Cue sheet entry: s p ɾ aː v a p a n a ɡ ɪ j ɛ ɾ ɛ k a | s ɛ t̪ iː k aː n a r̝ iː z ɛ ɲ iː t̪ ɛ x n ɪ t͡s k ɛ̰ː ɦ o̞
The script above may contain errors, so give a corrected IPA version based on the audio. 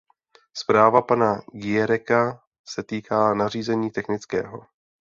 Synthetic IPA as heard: s p ɾ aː v a p a n a ɡ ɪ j ɛ ɾ ɛ k a | s ɛ t̪ iː k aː n a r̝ iː z ɛ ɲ iː t̪ ɛ x n ɪ t͡s k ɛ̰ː ɦ o̞

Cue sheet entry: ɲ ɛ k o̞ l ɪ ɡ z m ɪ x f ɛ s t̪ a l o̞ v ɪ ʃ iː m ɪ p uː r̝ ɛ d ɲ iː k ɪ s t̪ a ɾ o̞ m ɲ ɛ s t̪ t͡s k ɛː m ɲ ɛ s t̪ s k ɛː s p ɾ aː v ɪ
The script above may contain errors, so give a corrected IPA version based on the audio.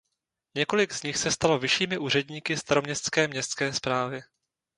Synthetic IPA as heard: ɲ ɛ k o̞ l ɪ ɡ z ɲ ɪ x s ɛ s t̪ a l o̞ v ɪ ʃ iː m ɪ ʔ uː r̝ ɛ d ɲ iː k ɪ s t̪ a ɾ o̞ m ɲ ɛ s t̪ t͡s k ɛː m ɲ ɛ s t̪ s k ɛː s p ɾ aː v ɪ

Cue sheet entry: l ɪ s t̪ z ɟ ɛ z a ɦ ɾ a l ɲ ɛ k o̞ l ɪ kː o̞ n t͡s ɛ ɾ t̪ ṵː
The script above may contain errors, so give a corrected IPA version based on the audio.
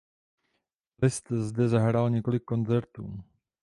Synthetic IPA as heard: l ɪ s t̪ z d ɛ z a ɦ ɾ a l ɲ ɛ k o̞ l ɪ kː o̞ n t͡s ɛ ɾ t̪ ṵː

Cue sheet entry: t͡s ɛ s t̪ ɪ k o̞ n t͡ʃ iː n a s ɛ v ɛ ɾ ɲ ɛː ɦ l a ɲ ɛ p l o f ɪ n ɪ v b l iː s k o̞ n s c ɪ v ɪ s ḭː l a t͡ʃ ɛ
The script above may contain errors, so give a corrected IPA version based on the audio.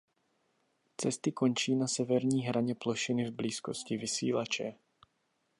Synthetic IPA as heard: t͡s ɛ s t̪ ɪ k o̞ n t͡ʃ iː n a s ɛ v ɛ ɾ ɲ iː ɦ ɾ a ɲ ɛ p l o ʃ ɪ n ɪ v b l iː s k o̞ s c ɪ v ɪ s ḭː l a t͡ʃ ɛ

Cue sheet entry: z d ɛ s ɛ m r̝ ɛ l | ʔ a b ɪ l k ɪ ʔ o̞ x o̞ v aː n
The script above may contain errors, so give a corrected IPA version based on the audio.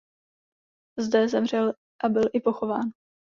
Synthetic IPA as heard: z d ɛ z ɛ m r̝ ɛ l | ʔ a b ɪ l ʔ ɪ p o̞ x o̞ v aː n

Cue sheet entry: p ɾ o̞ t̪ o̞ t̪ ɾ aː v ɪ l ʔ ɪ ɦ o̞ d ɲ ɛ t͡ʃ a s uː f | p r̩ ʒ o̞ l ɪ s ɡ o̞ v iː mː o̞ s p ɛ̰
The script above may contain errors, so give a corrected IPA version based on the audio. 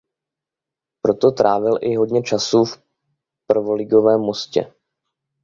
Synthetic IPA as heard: p ɾ o̞ t̪ o̞ t̪ ɾ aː v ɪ l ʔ ɪ ɦ o̞ d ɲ ɛ t͡ʃ a s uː f | p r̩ v o̞ l ɪ ɡ o̞ v ɛː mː o̞ s c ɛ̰

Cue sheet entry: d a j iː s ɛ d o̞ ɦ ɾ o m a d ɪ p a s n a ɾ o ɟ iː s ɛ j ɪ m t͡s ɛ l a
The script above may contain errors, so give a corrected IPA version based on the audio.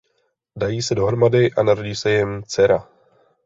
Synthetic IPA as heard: d a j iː s ɛ d o̞ ɦ ɾ o m a d ɪ ʔ a n a ɾ o ɟ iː s ɛ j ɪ m t͡s ɛ ɾ a

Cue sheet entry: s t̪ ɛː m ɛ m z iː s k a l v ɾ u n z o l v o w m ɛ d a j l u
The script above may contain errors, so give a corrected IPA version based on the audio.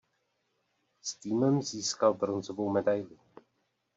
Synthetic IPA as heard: s t̪ iː m ɛ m z iː s k a l b ɾ o n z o v o w m ɛ d a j l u

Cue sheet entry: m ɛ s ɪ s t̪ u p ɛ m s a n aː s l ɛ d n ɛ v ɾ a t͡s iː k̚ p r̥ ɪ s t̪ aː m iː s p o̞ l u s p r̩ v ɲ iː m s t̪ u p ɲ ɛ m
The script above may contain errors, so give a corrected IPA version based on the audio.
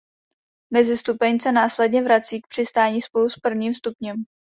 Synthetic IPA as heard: m ɛ z ɪ s t̪ u p ɛ ɲ s ɛ n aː s l ɛ d ɲ ɛ v ɾ a t͡s iː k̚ p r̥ ɪ s t̪ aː ɲ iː s p o̞ l u s p r̩ v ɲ iː m s t̪ u p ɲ ɛ m

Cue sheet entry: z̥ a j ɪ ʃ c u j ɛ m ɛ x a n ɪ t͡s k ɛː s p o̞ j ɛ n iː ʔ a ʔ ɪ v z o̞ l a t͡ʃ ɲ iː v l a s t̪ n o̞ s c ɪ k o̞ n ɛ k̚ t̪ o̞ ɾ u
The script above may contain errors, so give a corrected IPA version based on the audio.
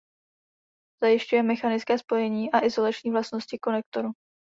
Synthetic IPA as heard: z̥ a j ɪ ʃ c u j ɛ m ɛ x a n ɪ t͡s k ɛː s p o̞ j ɛ ɲ iː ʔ a ʔ ɪ z o̞ l a t͡ʃ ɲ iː v l a s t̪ n o̞ s c ɪ k o̞ n ɛ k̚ t̪ o̞ ɾ u

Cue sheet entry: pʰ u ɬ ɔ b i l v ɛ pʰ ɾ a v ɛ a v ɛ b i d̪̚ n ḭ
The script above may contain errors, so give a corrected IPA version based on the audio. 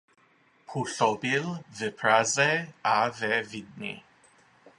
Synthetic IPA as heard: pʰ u ɬ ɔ b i l v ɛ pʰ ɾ a z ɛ a v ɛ v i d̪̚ n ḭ

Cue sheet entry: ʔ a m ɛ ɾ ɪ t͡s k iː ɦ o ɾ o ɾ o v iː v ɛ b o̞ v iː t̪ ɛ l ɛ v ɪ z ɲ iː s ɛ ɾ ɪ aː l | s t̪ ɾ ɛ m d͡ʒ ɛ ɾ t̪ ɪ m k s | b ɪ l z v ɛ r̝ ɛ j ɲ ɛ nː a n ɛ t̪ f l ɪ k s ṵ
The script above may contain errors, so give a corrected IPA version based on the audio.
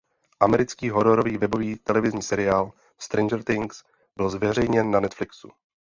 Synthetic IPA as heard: ʔ a m ɛ ɾ ɪ t͡s k iː ɦ o ɾ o ɾ o v iː v ɛ b o̞ v iː t̪ ɛ l ɛ v ɪ z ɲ iː s ɛ ɾ ɪ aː l | s t̪ ɾ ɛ n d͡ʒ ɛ ɾ t̪ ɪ ŋ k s | b ɪ l z v ɛ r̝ ɛ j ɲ ɛ nː a n ɛ t̪ f l ɪ k s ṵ

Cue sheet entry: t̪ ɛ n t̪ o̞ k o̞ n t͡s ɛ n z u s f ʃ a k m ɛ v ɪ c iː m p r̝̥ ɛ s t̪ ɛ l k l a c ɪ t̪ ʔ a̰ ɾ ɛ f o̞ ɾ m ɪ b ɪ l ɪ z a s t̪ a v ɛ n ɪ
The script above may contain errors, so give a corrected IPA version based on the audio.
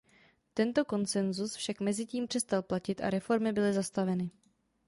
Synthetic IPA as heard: t̪ ɛ n t̪ o̞ k o̞ n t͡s ɛ n z u s f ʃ a k m ɛ z ɪ c iː m p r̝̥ ɛ s t̪ a l p l a c ɪ t̪ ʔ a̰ ɾ ɛ f o̞ ɾ m ɪ b ɪ l ɪ z a s t̪ a v ɛ n ɪ

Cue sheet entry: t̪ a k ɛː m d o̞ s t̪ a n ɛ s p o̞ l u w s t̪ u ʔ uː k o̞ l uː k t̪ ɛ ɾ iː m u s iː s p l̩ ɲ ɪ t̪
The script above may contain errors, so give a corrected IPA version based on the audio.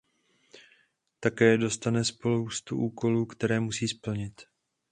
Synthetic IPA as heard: t̪ a k ɛː d o̞ s t̪ a n ɛ s p o̞ l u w s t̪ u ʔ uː k o̞ l uː k t̪ ɛ ɾ ɛː m u s iː s p l̩ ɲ ɪ t̪

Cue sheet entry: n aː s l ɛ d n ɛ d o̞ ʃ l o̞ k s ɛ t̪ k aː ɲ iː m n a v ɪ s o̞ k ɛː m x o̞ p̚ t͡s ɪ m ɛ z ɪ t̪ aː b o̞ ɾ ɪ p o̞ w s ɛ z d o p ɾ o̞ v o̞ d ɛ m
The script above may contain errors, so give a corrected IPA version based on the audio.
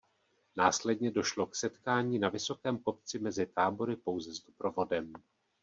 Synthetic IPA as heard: n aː s l ɛ d ɲ ɛ d o̞ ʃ l o̞ k s ɛ t̪ k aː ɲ iː n a v ɪ s o̞ k ɛː m k o̞ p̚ t͡s ɪ m ɛ z ɪ t̪ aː b o̞ ɾ ɪ p o̞ w z ɛ z d o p ɾ o̞ v o̞ d ɛ m

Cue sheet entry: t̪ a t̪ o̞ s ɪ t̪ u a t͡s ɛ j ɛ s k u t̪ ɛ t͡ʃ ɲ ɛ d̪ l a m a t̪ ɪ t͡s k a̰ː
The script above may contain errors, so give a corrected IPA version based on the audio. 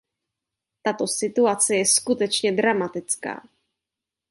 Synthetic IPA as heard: t̪ a t̪ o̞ s ɪ t̪ u a t͡s ɛ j ɛ s k u t̪ ɛ t͡ʃ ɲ ɛ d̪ ɾ a m a t̪ ɪ t͡s k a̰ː

